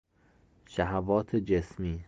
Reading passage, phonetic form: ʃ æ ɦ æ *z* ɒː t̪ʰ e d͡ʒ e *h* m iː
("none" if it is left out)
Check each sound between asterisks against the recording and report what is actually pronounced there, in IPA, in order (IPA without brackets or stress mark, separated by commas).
v, s